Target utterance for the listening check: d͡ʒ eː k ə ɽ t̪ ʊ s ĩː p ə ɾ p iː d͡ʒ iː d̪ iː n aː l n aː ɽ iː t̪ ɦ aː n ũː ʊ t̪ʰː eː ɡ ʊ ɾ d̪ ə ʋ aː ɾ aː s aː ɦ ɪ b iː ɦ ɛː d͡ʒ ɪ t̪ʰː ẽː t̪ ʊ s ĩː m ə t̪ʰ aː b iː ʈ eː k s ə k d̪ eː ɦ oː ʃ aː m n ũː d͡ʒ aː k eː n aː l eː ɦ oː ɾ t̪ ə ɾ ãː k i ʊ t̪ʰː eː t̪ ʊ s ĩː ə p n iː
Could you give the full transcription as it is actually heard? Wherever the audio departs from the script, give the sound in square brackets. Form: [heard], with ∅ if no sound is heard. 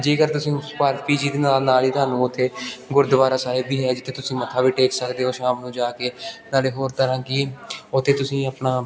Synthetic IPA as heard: d͡ʒ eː k ə [ɾ] t̪ ʊ s ĩː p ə ɾ p iː d͡ʒ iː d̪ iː n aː l n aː [l] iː t̪ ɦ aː n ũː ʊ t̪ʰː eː ɡ ʊ ɾ d̪ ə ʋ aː ɾ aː s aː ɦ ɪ b iː ɦ ɛː d͡ʒ ɪ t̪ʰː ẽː t̪ ʊ s ĩː m ə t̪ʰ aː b iː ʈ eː k s ə k d̪ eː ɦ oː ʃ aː m n ũː d͡ʒ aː k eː n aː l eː ɦ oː ɾ t̪ ə ɾ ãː k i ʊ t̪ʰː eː t̪ ʊ s ĩː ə p n [aː]